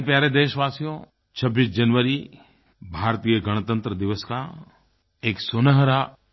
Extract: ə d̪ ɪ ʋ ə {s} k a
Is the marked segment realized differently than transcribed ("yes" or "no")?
no